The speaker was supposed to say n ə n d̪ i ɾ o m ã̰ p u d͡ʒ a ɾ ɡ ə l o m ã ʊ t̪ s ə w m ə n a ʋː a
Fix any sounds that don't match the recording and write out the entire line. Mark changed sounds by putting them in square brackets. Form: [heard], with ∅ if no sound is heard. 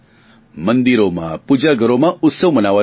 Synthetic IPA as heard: [m] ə n d̪ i ɾ o m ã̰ p u d͡ʒ a [∅] ɡ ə [ɾ] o m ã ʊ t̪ s ə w m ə n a [ʋ] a